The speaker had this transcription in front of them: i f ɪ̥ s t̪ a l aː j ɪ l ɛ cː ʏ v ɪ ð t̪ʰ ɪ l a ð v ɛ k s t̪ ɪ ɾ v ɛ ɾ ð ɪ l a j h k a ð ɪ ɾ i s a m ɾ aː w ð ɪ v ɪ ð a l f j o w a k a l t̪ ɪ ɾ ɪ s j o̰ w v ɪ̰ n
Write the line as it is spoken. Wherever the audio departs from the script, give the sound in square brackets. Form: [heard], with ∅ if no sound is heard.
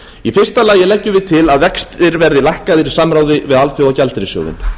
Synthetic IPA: i f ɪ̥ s t̪ a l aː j ɪ l ɛ cː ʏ v ɪ ð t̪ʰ ɪ l a ð v ɛ k s t̪ ɪ ɾ v ɛ ɾ ð ɪ l a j h k a ð ɪ ɾ i s a m ɾ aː w ð ɪ v ɪ ð a l f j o w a [c] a l t̪ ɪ ɾ ɪ s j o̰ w [ð] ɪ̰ n